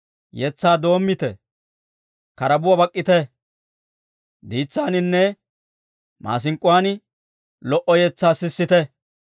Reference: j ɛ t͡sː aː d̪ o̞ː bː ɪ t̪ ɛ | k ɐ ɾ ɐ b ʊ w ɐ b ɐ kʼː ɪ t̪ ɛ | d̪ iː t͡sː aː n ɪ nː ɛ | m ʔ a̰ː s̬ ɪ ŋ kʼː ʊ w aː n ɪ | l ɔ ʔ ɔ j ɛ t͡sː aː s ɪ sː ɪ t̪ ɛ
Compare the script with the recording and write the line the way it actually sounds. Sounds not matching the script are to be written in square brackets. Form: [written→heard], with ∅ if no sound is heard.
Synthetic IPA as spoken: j ɛ t͡sː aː d̪ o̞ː [bː→mː] ɪ t̪ ɛ | k ɐ ɾ ɐ b ʊ w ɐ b ɐ kʼː ɪ t̪ ɛ | d̪ iː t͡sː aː n ɪ nː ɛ | m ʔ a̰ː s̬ ɪ ŋ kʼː ʊ w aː n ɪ | l ɔ ʔ ɔ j ɛ t͡sː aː s ɪ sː ɪ t̪ ɛ